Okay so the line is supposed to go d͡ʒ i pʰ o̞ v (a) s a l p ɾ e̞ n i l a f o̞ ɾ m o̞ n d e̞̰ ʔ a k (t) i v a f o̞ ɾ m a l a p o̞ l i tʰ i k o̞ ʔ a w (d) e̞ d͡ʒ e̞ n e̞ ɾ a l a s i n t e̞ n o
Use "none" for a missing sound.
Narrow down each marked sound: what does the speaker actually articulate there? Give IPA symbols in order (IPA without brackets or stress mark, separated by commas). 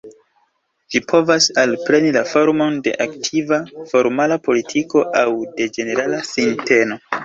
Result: a, tʰ, d